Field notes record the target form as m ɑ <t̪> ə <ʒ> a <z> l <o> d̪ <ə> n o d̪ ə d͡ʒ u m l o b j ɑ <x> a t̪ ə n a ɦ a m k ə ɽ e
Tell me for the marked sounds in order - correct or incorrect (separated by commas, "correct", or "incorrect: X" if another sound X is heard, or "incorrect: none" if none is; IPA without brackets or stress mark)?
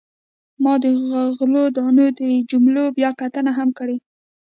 incorrect: d̪, incorrect: ɣ, incorrect: ɣ, correct, incorrect: ɑ, incorrect: k